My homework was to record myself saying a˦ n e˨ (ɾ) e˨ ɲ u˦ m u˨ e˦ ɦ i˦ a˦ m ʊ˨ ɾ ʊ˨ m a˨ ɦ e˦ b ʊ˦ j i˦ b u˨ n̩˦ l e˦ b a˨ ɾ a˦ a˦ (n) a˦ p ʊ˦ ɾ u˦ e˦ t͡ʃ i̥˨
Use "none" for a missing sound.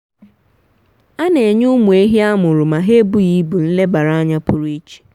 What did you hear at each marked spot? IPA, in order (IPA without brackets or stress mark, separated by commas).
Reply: none, ɲ